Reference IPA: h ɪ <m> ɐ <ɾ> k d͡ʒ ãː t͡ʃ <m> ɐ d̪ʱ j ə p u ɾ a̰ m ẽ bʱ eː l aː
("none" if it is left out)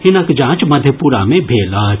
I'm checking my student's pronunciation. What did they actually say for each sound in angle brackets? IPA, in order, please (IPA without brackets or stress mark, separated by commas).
n, none, m